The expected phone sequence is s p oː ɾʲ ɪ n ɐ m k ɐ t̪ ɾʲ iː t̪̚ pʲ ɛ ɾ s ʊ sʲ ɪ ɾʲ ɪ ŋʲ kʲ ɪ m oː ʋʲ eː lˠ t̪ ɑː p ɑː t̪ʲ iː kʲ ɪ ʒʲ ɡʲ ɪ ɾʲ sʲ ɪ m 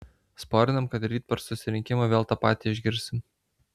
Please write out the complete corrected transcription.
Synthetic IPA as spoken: s p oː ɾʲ ɪ n ɐ m k ɐ t̪ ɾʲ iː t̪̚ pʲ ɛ ɾ s ʊ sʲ ɪ ɾʲ ɪ ŋʲ kʲ ɪ m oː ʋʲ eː lˠ t̪ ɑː p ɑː t̪ʲ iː ɪ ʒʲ ɡʲ ɪ ɾʲ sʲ ɪ m